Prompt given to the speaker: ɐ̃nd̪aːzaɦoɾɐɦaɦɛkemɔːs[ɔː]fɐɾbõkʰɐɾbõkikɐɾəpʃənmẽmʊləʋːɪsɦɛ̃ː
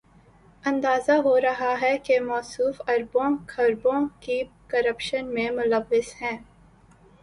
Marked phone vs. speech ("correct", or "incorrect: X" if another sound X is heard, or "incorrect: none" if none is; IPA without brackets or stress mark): incorrect: uː